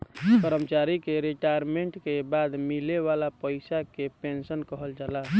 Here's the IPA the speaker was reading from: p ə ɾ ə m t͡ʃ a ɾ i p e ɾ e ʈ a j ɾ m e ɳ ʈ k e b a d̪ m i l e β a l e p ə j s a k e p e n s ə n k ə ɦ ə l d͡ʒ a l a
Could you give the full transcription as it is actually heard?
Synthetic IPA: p ə ɾ ə m t͡ʃ a ɾ i k e ɾ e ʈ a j ɾ m e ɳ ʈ k e b a d̪ m i l e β a l a p ə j s a k e p e n s ə n k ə ɦ ə l d͡ʒ a l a

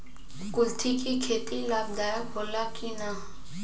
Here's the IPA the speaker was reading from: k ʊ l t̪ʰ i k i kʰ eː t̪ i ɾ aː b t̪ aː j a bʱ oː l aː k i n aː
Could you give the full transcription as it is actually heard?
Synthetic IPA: k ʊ l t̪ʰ i k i kʰ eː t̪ i l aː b d̪ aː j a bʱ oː l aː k i n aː

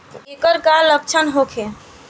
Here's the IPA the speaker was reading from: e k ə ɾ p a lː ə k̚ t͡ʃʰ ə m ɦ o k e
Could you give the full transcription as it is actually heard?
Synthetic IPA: e k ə ɾ k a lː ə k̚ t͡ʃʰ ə n ɦ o kʰ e

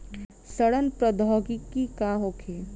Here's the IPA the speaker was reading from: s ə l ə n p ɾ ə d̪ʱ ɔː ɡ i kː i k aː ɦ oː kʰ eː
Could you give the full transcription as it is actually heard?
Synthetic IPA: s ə ɽ ə n p ɾ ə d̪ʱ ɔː ɡ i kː i k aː ɦ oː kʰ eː

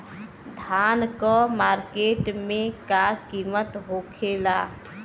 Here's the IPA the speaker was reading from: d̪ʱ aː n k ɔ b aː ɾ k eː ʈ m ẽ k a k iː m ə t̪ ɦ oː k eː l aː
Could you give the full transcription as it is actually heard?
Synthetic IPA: d̪ʱ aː n k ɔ m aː ɾ k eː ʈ m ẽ k a k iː m ə t̪ ɦ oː kʰ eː l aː

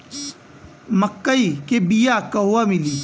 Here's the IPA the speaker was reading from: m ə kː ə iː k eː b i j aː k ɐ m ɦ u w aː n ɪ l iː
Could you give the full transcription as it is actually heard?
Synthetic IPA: m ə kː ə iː k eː b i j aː k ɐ ɦ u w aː m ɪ l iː

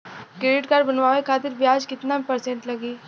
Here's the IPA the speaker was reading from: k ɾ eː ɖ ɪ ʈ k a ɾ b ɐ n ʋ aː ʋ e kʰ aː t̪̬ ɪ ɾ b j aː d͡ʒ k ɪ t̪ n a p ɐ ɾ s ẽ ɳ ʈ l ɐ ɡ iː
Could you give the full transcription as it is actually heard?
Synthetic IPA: k ɾ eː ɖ ɪ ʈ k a ɾ b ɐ n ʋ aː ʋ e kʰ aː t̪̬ ɪ ɾ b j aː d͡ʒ k ɪ t̪ n a p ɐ ɾ s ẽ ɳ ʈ l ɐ ɡ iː

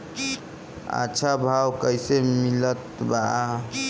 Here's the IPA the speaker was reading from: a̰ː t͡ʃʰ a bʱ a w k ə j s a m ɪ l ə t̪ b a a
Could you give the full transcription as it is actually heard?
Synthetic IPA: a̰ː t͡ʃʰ a bʱ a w k ə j s e m i l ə t̪ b a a

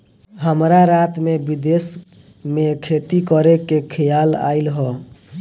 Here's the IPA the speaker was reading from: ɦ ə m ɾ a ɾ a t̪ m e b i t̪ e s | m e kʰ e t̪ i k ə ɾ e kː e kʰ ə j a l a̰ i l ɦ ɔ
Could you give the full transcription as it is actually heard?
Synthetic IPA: ɦ ə m ɾ a ɾ a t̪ m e b i d̪ e s | m e kʰ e t̪ i k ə ɾ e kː e kʰ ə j a l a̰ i l ɦ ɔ

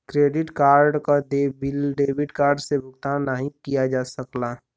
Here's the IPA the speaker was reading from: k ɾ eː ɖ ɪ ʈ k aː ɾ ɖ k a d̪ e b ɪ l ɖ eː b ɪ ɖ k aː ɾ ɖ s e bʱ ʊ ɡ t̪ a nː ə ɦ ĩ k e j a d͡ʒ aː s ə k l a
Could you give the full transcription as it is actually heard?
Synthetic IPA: k ɾ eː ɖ ɪ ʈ k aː ɾ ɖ k a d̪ e b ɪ l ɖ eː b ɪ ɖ k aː ɾ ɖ s e bʱ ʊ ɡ t̪ a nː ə ɦ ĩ k i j a d͡ʒ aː s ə k l a

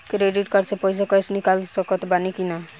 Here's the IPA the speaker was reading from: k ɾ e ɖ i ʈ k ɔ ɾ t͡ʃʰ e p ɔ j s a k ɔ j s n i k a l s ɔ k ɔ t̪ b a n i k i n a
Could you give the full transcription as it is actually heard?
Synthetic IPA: k ɾ e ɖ i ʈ k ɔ ɾ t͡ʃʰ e p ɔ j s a k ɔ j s n i k a l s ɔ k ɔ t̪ b a n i k i n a

